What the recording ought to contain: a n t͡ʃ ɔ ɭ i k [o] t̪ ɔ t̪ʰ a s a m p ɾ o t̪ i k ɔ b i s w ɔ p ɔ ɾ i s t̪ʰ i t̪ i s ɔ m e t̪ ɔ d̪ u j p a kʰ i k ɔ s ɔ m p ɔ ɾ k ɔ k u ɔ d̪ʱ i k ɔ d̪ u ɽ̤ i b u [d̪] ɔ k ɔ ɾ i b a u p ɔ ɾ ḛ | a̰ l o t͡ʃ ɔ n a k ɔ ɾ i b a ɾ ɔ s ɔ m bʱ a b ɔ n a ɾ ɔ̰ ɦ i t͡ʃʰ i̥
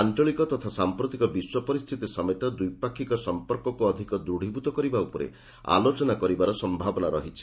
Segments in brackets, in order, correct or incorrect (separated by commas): incorrect, incorrect